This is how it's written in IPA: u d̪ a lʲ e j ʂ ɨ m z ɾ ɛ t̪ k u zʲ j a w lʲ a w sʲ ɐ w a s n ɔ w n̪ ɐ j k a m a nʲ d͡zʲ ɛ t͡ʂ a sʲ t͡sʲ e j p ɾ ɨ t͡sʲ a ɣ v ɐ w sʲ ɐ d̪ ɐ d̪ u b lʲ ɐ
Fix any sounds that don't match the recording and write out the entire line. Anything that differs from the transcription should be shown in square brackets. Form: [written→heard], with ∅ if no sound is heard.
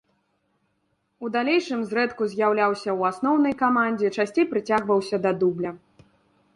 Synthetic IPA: u d̪ a lʲ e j ʂ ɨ m z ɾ ɛ t̪ k u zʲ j a w lʲ a w sʲ ɐ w a s n ɔ w n̪ ɐ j k a m a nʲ d͡zʲ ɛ t͡ʂ a sʲ t͡sʲ e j p ɾ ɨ t͡sʲ a ɣ v ɐ w sʲ ɐ d̪ ɐ d̪ u b lʲ ɐ

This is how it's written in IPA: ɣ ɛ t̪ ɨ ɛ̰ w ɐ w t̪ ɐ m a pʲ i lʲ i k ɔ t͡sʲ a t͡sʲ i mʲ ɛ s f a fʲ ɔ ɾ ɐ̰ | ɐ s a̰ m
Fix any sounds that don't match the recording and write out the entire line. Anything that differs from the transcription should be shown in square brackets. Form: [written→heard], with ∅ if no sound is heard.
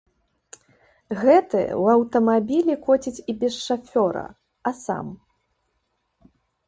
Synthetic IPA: ɣ ɛ t̪ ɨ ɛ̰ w ɐ w t̪ ɐ m a [pʲ→bʲ] i lʲ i k ɔ t͡sʲ [a→i] t͡sʲ i [mʲ→bʲ] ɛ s [f→ʂ] a fʲ ɔ ɾ ɐ̰ | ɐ s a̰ m

